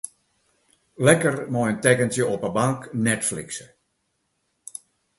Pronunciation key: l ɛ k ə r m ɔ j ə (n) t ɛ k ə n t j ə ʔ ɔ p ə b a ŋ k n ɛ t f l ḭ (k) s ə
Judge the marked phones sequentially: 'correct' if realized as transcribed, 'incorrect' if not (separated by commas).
correct, correct